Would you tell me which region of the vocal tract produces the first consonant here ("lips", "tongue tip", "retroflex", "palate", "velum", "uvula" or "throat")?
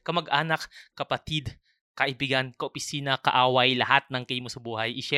velum